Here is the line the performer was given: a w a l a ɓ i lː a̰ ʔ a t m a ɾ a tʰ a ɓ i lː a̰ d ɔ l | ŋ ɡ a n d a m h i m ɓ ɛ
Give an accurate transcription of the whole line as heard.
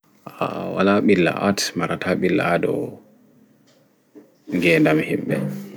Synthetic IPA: a w a l a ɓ i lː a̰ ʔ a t m a ɾ a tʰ a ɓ i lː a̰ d ɔ | ŋ ɡ ɛ n d a m h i m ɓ ɛ